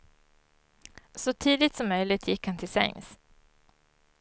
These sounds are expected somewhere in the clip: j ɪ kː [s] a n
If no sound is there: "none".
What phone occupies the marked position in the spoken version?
h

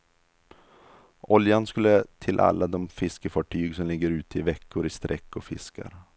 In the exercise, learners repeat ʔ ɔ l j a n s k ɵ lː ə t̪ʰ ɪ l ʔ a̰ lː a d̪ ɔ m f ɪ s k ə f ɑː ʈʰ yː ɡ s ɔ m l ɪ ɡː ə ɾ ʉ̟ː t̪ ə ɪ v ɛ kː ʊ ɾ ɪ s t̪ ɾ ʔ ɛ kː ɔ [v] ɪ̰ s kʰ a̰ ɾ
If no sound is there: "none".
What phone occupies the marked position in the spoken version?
f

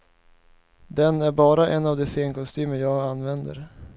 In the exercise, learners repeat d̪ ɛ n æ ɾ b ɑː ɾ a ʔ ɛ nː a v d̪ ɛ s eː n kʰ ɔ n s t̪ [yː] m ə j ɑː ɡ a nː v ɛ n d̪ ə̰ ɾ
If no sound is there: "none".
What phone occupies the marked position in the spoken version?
yː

